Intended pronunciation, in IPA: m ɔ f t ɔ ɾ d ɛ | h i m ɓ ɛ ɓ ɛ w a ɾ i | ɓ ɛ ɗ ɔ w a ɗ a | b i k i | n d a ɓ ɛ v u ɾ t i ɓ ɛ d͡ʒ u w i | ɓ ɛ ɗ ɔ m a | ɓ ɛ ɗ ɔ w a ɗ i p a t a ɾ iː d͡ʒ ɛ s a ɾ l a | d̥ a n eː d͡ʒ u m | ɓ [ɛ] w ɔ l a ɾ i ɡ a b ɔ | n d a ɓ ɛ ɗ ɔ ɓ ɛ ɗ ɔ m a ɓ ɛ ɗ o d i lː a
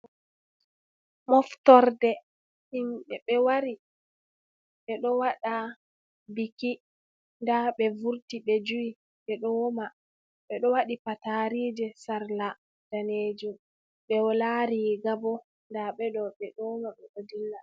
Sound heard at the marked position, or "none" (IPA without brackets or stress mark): ɛ